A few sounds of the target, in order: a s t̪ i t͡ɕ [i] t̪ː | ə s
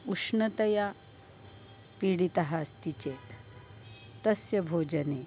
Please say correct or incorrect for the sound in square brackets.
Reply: incorrect